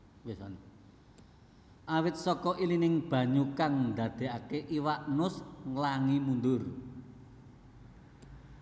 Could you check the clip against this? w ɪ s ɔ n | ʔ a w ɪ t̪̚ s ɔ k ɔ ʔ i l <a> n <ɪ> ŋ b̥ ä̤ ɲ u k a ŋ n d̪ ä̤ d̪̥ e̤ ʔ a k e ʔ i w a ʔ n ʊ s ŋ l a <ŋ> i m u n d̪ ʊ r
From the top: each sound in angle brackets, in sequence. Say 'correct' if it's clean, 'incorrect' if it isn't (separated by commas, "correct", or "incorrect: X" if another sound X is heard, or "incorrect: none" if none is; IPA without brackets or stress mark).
incorrect: i, correct, correct